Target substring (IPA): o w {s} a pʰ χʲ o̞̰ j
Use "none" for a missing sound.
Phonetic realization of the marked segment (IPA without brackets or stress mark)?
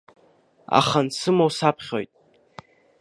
s